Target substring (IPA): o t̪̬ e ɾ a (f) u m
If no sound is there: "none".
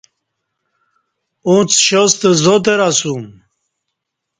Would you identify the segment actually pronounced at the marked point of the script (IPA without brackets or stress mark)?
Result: s